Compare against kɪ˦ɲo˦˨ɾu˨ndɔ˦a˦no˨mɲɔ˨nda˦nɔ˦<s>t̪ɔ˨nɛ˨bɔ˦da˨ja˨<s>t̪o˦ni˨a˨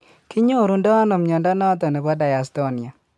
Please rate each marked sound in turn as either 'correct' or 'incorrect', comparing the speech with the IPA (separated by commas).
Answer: incorrect, correct